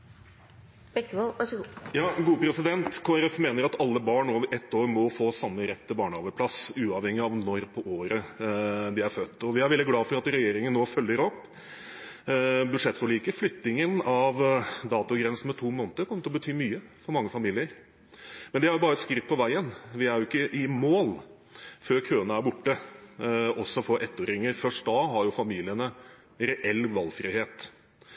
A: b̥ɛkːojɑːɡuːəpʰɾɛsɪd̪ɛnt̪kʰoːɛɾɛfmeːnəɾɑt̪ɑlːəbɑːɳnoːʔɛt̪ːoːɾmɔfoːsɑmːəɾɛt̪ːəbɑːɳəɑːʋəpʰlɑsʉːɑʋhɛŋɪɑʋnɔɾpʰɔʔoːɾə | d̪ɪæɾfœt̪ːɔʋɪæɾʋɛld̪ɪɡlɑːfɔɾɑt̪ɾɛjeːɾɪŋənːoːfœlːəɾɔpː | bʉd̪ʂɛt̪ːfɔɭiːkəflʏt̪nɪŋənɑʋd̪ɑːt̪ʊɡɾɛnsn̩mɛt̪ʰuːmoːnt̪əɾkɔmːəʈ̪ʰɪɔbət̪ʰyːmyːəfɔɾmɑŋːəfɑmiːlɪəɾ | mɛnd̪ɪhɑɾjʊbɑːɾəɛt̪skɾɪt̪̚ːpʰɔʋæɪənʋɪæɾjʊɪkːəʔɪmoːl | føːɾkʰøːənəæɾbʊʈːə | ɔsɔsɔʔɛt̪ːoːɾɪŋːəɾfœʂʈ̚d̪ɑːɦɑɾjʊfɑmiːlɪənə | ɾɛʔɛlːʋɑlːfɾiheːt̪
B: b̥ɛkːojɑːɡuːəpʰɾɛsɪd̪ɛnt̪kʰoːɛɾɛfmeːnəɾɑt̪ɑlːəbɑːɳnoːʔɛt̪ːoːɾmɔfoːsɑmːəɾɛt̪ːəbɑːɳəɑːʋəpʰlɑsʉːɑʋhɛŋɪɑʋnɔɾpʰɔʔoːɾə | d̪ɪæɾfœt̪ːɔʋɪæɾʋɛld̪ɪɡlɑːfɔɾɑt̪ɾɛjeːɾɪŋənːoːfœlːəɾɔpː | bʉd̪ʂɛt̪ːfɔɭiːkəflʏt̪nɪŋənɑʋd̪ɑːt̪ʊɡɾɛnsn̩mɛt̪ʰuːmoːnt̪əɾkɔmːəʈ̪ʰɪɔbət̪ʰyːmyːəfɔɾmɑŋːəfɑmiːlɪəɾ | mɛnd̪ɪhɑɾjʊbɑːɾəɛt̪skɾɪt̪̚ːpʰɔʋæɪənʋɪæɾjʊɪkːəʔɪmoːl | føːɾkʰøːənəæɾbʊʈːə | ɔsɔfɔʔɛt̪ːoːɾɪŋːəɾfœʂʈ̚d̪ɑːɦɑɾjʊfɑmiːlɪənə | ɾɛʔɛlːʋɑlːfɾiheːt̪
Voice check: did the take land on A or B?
B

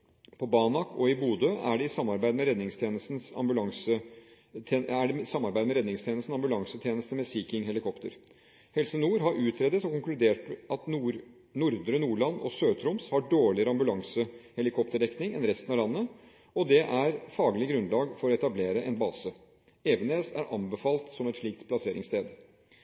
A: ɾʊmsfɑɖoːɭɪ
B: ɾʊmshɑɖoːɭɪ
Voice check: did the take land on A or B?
B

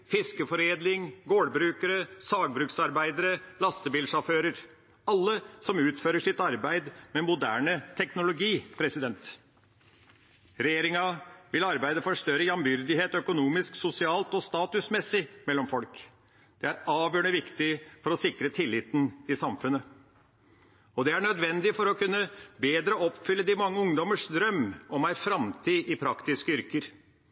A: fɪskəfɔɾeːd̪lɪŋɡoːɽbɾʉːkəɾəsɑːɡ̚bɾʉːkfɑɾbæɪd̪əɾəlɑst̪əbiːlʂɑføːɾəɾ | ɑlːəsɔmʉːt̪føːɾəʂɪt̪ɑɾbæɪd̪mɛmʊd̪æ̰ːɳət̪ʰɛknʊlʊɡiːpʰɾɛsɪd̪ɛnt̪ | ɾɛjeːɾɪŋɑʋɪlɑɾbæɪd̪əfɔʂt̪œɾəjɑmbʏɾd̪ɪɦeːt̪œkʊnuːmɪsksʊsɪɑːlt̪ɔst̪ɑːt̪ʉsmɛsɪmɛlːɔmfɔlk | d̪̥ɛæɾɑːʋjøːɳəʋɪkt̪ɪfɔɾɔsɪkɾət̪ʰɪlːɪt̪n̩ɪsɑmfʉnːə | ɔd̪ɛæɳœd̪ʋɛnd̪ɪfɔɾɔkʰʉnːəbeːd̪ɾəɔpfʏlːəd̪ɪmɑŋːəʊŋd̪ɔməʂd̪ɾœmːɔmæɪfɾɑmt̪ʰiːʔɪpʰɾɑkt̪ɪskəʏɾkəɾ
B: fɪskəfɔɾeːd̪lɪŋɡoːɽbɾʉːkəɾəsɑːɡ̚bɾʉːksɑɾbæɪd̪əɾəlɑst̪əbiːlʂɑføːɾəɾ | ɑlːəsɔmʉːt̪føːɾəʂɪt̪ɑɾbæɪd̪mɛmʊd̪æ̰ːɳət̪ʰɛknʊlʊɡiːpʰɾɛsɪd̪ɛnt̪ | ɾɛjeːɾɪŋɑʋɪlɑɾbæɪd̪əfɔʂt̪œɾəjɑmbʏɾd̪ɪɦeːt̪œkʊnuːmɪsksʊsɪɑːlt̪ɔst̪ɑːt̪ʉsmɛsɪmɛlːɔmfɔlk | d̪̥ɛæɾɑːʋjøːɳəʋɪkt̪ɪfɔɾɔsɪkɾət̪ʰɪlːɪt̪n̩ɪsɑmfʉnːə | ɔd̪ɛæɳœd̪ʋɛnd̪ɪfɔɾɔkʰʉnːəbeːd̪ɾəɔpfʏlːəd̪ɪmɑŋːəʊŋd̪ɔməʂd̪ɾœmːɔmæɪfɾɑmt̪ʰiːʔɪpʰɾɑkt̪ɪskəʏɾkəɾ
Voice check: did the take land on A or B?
B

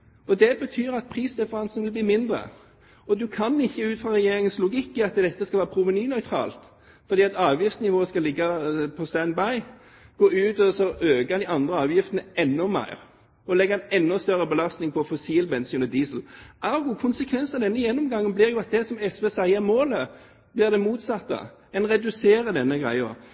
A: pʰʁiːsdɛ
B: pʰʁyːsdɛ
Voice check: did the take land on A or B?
A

